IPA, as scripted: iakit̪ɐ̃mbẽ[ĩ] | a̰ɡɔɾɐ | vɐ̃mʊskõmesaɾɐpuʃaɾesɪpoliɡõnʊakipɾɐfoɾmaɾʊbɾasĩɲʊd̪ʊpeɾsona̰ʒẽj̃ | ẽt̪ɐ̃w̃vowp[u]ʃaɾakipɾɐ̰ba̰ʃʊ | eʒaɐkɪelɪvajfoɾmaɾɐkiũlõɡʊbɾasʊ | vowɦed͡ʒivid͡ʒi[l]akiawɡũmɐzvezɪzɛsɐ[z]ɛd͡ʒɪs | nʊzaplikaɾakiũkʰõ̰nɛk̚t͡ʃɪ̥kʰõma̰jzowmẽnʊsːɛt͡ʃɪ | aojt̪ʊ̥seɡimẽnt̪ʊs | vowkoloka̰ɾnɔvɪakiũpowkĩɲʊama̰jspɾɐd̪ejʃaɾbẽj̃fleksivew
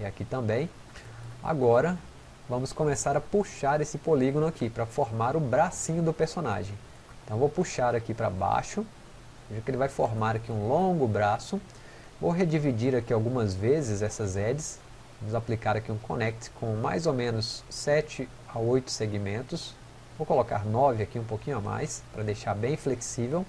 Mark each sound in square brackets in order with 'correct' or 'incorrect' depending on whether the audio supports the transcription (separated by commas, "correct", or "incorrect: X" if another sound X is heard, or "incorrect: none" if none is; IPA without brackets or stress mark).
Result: incorrect: j̃, correct, incorrect: ɾ, correct